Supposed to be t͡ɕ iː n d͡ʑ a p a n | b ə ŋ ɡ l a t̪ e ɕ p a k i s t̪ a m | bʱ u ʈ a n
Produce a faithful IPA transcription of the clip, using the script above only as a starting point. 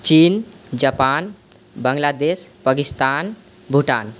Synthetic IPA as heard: t͡ɕ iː n d͡ʑ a p a n | b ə ŋ ɡ l a d̪ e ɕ p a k i s t̪ a n | bʱ u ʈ a n